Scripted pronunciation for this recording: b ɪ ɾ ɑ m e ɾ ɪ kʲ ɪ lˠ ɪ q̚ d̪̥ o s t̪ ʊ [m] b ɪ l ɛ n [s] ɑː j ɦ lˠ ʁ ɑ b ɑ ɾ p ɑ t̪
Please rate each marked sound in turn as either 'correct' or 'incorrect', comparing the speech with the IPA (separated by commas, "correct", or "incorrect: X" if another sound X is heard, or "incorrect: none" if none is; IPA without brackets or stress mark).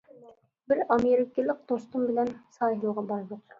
correct, correct